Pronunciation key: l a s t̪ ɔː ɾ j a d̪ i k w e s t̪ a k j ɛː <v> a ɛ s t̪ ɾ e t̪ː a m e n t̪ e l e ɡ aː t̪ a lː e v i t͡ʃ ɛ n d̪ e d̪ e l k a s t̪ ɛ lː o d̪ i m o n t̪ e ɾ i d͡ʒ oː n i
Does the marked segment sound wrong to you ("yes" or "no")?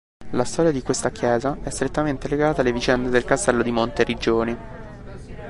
yes